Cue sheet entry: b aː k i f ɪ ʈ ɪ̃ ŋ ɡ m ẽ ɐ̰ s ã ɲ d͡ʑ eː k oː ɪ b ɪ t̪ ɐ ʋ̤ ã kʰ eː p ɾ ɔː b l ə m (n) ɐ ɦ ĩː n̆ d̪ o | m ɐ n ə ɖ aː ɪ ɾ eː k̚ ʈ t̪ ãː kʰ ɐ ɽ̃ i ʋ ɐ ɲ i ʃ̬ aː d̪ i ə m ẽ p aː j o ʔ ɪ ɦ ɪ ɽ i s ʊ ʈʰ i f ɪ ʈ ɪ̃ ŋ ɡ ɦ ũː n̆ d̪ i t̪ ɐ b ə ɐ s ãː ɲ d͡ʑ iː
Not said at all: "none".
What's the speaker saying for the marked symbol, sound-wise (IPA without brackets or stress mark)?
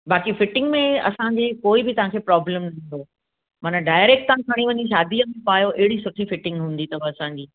n